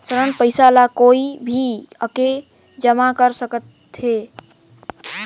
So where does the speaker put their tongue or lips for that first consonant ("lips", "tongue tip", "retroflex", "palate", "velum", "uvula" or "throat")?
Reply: tongue tip